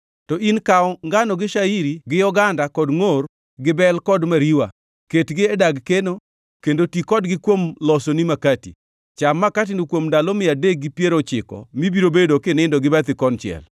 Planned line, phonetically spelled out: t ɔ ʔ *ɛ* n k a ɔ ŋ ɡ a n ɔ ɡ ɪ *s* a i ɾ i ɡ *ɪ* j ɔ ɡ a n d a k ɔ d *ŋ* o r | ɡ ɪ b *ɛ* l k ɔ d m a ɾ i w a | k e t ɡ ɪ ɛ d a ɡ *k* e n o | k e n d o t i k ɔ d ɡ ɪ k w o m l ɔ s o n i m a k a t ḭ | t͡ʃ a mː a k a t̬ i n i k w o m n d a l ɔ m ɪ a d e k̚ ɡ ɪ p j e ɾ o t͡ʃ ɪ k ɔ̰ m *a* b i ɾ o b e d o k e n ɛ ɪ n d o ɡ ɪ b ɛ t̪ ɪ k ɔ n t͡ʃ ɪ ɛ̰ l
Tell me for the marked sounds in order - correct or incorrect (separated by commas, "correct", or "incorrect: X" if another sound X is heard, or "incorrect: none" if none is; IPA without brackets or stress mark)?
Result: incorrect: i, incorrect: ʃ, correct, correct, correct, correct, incorrect: i